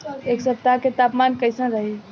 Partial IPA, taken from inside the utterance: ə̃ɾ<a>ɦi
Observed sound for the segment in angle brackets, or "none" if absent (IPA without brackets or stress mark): ə